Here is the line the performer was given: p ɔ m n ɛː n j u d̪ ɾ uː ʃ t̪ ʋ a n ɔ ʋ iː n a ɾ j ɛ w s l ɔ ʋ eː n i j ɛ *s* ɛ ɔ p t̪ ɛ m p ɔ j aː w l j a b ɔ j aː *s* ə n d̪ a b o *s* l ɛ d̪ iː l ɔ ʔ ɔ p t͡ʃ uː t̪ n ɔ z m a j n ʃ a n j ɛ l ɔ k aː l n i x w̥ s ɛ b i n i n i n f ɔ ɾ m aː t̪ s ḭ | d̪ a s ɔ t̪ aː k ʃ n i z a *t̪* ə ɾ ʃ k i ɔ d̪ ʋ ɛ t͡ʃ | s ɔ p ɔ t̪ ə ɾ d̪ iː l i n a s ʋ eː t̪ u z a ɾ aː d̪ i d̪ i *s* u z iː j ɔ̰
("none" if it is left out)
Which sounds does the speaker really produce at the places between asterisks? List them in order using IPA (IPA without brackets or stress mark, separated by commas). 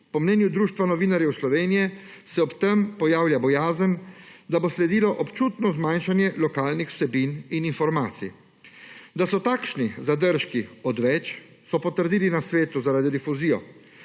s, z, s, d̪, f